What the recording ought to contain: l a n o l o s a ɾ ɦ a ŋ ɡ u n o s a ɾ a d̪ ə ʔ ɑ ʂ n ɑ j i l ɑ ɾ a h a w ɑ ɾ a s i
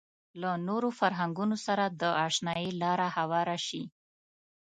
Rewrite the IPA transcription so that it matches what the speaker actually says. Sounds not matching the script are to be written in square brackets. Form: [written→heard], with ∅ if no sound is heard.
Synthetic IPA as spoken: l a n o [l→ɾ] o [s→f] a ɾ ɦ a ŋ ɡ u n o s a ɾ a d̪ ə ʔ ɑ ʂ n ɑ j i l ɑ ɾ a h a w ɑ ɾ a [s→ʃ] i